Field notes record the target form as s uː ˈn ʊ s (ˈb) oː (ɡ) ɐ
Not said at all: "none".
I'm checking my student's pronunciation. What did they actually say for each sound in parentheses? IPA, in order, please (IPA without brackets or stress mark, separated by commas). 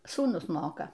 m, k